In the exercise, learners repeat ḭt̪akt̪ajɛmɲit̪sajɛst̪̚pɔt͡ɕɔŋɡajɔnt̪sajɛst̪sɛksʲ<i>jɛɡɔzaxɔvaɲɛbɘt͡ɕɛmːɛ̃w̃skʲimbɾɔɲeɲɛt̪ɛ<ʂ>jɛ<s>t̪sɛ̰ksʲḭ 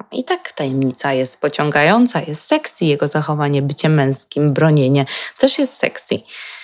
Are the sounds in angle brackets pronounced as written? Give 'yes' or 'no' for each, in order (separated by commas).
yes, yes, yes